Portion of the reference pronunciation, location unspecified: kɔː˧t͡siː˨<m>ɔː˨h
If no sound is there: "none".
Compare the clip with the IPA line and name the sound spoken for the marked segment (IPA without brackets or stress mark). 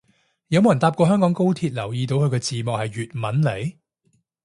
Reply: m